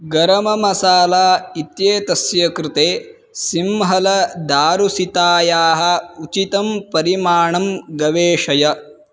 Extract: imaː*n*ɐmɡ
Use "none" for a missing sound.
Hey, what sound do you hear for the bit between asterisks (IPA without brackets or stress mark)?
ɳ